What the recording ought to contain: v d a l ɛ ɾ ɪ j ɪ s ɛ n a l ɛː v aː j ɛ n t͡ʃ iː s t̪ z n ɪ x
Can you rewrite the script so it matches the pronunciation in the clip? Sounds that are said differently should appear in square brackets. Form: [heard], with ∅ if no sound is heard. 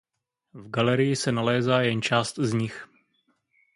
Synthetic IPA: v [ɡ] a l ɛ ɾ ɪ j ɪ s ɛ n a l ɛː [z] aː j ɛ n t͡ʃ [aː] s t̪ z [ɲ] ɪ x